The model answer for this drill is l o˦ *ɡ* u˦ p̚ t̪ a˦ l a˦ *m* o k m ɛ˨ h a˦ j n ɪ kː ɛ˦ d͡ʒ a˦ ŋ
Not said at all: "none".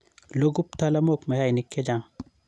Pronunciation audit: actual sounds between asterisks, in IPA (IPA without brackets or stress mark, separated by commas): ɡ, m